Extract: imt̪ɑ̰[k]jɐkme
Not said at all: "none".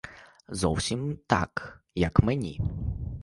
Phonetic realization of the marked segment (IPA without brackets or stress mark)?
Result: k